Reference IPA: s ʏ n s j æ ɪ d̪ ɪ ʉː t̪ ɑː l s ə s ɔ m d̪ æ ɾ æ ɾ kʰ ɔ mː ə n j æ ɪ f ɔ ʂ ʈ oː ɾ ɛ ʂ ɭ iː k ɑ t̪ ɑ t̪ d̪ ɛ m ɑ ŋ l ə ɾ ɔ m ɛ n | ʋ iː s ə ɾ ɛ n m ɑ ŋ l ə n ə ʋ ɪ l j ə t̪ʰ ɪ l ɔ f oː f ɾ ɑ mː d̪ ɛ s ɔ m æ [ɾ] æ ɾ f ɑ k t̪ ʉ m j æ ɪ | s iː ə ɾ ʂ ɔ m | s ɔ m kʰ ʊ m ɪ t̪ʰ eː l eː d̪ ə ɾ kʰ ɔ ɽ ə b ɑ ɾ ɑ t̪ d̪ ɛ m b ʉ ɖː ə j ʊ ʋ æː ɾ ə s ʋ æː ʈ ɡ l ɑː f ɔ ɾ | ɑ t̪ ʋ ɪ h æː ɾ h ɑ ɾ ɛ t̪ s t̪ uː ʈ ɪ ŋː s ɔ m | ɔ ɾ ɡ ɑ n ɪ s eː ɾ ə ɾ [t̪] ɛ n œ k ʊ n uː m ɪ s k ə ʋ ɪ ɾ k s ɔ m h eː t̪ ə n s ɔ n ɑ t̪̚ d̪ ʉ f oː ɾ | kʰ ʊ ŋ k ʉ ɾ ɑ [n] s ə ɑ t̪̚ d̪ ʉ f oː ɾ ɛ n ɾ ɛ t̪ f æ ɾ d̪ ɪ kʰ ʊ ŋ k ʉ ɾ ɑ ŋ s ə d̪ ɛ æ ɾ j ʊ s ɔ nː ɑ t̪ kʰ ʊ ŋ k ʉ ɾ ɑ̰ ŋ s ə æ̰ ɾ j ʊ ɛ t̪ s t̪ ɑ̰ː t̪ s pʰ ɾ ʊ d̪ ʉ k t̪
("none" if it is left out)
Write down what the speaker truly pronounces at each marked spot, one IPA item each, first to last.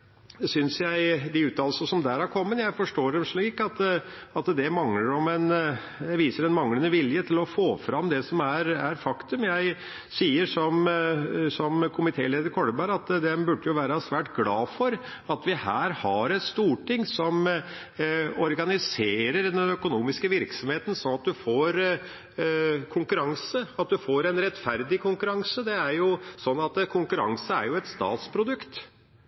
ɾ, d̪, ŋ

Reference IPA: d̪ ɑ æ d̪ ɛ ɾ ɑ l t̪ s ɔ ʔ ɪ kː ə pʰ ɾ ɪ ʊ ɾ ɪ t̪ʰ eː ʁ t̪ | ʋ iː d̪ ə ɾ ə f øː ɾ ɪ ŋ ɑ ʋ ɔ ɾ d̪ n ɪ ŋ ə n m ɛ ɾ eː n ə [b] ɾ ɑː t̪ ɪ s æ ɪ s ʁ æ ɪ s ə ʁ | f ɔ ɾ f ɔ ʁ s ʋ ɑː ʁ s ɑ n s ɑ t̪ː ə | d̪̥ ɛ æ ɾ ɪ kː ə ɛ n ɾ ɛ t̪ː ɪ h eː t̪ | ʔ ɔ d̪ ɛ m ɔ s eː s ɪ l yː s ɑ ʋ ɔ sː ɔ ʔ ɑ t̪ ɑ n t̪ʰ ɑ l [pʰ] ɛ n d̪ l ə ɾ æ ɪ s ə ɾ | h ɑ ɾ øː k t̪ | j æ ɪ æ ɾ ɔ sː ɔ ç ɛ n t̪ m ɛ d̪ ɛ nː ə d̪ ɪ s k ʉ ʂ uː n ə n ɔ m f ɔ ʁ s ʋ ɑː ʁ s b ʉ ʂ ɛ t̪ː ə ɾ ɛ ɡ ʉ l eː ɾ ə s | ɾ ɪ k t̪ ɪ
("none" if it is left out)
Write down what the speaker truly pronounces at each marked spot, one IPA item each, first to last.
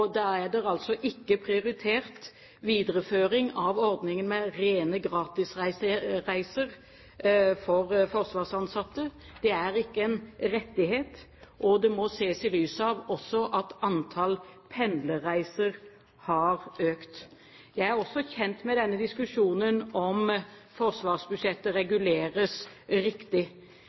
ɡ, pʰ

